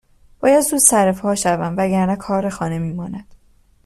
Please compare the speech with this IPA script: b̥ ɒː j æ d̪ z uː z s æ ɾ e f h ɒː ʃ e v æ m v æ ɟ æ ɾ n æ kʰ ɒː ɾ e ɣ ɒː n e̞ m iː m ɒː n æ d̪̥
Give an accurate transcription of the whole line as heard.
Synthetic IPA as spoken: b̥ ɒː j æ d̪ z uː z s æ ɾ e f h ɒː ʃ æ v æ m v æ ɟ æ ɾ n æ kʰ ɒː ɾ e x ɒː n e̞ m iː m ɒː n æ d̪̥